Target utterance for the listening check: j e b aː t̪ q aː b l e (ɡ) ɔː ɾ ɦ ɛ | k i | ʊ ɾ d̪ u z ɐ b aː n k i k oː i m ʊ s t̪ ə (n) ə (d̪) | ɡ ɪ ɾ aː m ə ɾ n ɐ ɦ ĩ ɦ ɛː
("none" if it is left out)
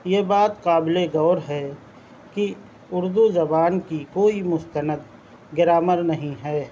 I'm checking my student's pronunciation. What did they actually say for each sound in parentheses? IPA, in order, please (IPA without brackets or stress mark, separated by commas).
ɡ, n, d̪